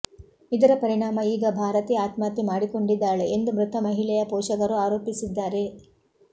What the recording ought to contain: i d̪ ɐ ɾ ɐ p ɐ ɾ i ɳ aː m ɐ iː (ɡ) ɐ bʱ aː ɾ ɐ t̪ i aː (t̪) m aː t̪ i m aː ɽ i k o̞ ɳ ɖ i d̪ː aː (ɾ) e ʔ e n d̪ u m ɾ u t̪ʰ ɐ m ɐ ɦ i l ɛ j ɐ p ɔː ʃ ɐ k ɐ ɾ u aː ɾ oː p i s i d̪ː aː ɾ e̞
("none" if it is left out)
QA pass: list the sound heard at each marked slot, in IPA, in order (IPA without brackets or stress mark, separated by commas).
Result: ɡ, t̪, ɭ